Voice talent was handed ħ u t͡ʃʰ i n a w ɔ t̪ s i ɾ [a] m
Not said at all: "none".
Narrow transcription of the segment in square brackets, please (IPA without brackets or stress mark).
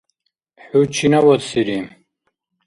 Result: i